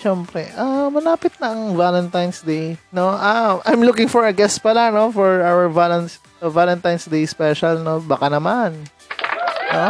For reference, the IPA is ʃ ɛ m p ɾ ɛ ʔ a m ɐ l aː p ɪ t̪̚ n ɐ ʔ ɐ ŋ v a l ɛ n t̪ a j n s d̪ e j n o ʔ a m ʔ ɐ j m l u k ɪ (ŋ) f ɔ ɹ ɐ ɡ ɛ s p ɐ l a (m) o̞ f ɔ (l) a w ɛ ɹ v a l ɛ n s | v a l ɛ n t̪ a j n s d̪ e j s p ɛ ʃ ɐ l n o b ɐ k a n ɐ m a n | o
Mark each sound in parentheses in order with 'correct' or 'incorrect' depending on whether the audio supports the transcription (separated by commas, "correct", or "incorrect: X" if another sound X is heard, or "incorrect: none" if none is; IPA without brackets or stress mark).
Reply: correct, incorrect: n, incorrect: ɹ